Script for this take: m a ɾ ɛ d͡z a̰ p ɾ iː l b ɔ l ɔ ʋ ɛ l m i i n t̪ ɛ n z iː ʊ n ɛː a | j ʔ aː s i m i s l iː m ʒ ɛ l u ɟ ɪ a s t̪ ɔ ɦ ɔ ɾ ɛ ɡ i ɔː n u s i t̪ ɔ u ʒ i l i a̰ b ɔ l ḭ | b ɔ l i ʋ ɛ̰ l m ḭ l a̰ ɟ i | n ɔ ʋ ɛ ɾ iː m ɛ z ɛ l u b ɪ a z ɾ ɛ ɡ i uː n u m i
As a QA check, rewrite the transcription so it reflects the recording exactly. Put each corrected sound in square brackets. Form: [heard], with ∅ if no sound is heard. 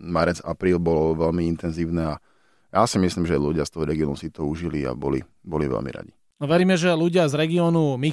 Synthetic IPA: m a ɾ ɛ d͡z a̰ p ɾ iː l b ɔ l ɔ ʋ ɛ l m i i n t̪ ɛ n z iː ʊ n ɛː a | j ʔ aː s i m i s l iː m ʒ ɛ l u ɟ ɪ a s t̪ ɔ ɦ ɔ ɾ ɛ ɡ i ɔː n u s i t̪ ɔ u ʒ i l i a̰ b ɔ l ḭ | b ɔ l i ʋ ɛ̰ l m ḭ [ɾ] a̰ ɟ i | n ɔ ʋ ɛ ɾ iː m ɛ [ʒ] ɛ l u [ɟ] ɪ a z ɾ ɛ ɡ i [ɔː] n u m i